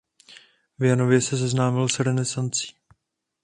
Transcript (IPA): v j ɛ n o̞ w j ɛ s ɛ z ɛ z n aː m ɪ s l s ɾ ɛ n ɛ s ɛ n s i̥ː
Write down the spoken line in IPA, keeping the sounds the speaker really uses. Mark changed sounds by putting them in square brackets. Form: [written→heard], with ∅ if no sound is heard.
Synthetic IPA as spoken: v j [ɛ→a] n o̞ [w→v] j ɛ s ɛ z ɛ z n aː m ɪ [s→∅] l s ɾ ɛ n ɛ s [ɛ→a] n [s→t͡s] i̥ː